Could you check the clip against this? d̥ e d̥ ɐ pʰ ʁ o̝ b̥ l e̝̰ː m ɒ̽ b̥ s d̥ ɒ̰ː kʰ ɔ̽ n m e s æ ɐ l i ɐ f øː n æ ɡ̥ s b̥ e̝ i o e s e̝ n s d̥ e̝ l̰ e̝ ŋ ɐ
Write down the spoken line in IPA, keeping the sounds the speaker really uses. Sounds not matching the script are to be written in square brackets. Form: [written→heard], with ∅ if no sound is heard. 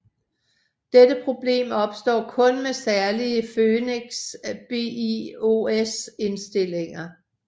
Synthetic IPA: d̥ e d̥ [ɐ→ə] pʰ ʁ o̝ b̥ l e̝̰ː m ɒ̽ b̥ s d̥ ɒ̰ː kʰ ɔ̽ n m e s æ ɐ l i [ɐ→ə] f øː n [æ→e] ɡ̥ s b̥ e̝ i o e s e̝ n s d̥ e̝ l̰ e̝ ŋ ɐ